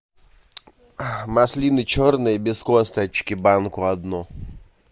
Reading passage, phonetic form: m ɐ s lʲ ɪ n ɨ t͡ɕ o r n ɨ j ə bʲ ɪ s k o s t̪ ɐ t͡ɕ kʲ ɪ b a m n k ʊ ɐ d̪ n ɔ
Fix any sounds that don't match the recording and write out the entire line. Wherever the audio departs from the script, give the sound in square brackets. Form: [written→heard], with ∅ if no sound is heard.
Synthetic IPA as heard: m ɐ s lʲ [ɪ→i] n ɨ t͡ɕ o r n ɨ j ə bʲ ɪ s k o s t̪ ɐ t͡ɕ kʲ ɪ b a [m→∅] n k ʊ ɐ d̪ n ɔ